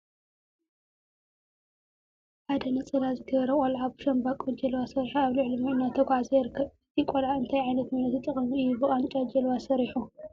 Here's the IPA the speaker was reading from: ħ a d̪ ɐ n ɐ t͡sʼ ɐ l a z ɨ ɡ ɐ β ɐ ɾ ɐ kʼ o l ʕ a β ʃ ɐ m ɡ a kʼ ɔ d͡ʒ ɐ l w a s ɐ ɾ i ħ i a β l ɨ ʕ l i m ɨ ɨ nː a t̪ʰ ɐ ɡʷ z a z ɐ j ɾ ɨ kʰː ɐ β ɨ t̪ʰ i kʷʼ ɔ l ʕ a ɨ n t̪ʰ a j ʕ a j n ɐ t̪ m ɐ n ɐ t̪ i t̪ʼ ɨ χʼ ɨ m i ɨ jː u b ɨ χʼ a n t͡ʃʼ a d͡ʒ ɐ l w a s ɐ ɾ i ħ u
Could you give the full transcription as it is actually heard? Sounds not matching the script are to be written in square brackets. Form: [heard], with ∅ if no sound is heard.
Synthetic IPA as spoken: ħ a d̪ ɐ n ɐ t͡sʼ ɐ l a z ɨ ɡ ɐ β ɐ ɾ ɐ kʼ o l ʕ a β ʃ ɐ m [b] a kʼ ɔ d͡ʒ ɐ l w a s ɐ ɾ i ħ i a β l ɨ ʕ l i m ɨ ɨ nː a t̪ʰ ɐ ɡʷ [ʕ] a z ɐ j ɾ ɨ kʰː ɐ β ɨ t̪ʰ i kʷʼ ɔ l ʕ a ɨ n t̪ʰ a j ʕ a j n ɐ t̪ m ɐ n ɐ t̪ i t̪ʼ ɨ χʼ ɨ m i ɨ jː u b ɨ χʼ a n t͡ʃʼ a d͡ʒ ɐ l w a s ɐ ɾ i ħ u